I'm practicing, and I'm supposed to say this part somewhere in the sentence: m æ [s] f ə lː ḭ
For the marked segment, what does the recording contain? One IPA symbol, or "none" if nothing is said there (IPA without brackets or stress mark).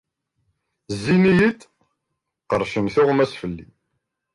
s